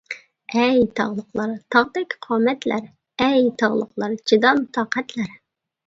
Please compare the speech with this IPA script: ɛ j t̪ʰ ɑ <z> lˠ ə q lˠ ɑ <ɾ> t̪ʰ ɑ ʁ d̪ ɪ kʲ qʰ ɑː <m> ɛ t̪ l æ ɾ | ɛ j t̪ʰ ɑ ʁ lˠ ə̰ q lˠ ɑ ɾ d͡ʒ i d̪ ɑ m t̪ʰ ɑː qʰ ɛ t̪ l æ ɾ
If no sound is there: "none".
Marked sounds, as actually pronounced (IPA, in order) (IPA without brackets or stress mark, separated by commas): ʁ, ɾ, m